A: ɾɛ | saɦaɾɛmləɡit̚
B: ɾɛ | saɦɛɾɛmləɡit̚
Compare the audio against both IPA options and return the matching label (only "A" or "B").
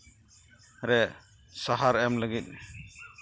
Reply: A